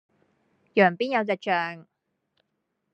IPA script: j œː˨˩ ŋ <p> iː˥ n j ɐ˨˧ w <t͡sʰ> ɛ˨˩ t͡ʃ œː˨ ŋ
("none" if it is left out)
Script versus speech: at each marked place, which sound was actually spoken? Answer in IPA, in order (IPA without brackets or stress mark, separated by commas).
p, t͡s